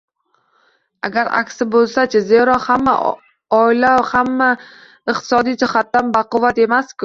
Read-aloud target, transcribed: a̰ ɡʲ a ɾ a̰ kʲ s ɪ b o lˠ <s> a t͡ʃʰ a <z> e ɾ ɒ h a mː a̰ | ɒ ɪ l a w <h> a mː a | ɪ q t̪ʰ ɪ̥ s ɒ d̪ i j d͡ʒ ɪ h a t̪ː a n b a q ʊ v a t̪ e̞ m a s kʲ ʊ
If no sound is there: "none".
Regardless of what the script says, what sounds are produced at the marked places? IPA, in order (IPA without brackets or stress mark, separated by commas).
s, z, h